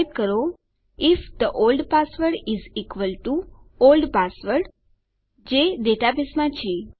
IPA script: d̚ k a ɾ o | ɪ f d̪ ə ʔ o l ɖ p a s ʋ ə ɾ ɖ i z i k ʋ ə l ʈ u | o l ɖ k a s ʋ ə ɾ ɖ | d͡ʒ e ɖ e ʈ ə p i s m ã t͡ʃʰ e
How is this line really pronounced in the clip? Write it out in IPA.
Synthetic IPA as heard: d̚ k ə ɾ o | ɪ f d̪ ə ʔ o l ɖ p a s ʋ ə ɾ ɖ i z i k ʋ ə l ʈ u | o l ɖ p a s ʋ ə ɾ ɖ | d͡ʒ e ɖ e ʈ a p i s m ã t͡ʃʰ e